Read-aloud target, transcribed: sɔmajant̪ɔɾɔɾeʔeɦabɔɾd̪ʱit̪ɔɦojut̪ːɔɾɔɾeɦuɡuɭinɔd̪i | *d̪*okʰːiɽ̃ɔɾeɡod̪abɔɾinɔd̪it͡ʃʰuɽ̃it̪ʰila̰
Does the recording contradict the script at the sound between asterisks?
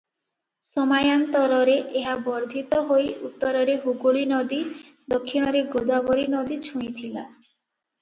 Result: no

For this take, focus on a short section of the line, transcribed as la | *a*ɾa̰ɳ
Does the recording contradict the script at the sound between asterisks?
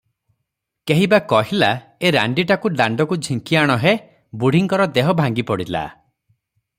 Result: yes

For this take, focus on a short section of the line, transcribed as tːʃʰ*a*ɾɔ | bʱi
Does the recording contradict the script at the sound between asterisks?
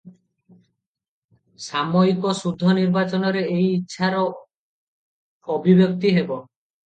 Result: no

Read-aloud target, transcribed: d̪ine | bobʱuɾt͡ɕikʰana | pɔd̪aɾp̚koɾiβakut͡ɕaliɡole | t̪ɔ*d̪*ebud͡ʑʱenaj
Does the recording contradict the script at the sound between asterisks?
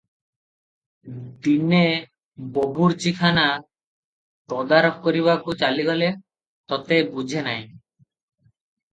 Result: yes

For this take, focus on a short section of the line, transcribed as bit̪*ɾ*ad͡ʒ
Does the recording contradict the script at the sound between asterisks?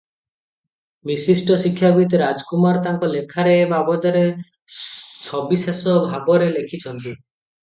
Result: no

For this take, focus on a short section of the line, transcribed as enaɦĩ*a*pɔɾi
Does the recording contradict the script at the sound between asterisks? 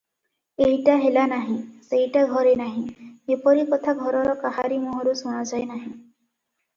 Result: yes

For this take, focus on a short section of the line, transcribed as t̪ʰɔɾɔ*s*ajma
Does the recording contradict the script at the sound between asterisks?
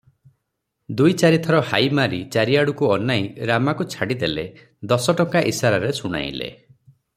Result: yes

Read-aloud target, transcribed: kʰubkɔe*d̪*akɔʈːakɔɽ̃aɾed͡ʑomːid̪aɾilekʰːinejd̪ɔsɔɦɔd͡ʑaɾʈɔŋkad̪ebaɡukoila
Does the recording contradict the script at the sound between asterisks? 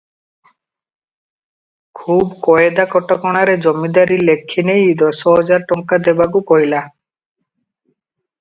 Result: no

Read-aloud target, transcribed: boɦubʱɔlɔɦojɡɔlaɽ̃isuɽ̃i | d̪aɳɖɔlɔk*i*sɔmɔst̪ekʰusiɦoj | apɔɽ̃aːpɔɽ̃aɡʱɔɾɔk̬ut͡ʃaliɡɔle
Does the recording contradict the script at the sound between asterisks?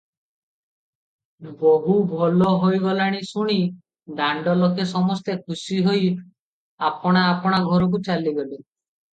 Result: yes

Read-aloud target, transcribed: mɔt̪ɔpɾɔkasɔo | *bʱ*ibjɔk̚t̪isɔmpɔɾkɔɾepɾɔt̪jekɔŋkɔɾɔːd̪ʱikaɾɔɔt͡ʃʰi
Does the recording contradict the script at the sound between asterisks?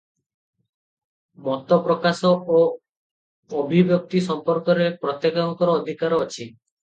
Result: no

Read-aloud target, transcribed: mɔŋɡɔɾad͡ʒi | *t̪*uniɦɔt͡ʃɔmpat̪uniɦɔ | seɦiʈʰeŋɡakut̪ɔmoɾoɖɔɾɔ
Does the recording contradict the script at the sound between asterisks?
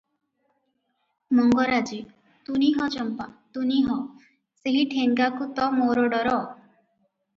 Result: no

